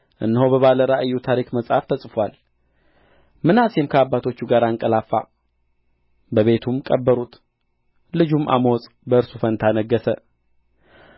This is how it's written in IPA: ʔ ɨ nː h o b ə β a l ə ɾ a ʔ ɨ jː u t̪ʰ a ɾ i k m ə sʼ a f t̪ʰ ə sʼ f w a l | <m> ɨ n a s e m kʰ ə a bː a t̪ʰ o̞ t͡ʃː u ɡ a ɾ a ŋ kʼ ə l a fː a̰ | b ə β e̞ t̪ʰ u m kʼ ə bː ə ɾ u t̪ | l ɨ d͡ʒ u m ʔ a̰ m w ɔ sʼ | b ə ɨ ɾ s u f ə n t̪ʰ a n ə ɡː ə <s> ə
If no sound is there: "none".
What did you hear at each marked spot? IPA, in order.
m, s

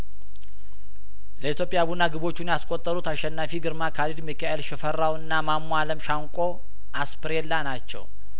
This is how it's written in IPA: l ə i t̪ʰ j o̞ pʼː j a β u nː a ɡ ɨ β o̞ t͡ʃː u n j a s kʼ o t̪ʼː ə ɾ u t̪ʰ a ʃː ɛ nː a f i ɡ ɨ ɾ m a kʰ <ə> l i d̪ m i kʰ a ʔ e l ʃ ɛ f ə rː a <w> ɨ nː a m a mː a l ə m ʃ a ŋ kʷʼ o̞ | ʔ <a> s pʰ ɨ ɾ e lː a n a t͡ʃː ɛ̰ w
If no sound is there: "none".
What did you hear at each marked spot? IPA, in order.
a, w, a

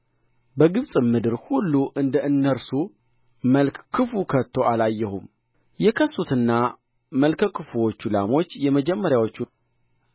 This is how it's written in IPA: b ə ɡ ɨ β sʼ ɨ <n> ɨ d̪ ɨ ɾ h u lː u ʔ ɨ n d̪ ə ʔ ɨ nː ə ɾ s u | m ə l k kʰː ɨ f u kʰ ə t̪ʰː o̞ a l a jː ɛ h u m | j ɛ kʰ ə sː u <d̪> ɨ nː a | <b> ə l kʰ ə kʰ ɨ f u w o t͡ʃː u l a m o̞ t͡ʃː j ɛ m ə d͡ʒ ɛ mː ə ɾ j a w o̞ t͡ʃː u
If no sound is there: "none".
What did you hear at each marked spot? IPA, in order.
m, t̪, m

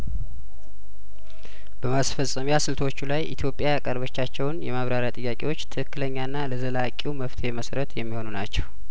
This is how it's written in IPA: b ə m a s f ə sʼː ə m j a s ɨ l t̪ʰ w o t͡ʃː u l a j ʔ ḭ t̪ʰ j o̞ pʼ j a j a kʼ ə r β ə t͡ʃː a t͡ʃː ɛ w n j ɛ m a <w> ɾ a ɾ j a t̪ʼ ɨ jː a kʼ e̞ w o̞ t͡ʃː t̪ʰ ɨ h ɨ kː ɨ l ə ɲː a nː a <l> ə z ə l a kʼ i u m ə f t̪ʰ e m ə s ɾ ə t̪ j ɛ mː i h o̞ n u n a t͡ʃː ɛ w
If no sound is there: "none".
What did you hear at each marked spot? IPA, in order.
β, l

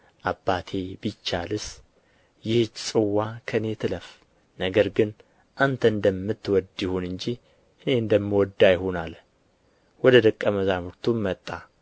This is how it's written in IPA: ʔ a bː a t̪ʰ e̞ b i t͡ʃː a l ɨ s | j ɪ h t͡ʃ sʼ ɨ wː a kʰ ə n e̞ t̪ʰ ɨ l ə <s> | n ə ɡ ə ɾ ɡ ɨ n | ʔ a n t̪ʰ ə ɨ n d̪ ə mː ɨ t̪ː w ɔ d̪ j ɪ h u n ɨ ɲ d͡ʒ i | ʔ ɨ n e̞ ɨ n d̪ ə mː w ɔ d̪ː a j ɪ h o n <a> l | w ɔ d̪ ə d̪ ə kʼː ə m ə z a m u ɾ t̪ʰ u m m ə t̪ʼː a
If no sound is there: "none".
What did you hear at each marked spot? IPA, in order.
f, a

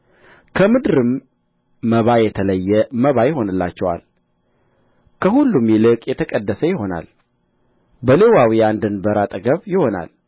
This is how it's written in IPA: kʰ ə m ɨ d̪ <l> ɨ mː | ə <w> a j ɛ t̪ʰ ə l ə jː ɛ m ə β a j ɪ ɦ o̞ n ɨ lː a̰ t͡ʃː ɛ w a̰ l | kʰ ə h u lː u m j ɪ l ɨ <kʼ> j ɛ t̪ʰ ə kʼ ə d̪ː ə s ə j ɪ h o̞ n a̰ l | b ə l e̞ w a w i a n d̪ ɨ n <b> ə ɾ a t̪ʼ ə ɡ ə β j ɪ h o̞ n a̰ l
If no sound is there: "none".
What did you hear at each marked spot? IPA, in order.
ɾ, β, kʼ, b

